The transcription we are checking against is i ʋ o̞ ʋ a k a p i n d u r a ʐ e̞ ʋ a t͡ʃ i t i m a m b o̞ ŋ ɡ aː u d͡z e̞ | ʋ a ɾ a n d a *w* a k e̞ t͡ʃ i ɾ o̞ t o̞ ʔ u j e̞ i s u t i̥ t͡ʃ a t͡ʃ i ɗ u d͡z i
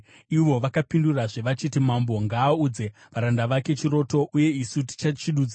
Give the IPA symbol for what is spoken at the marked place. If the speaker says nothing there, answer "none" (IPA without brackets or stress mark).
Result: ʋ